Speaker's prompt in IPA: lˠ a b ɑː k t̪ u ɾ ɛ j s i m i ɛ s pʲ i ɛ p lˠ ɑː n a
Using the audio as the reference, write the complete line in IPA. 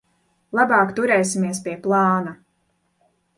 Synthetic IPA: lˠ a b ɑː k t̪ u ɾ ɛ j s i m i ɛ s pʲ i ɛ p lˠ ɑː n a